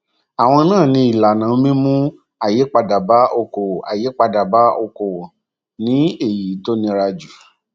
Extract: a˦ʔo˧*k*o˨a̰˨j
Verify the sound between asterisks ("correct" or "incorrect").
correct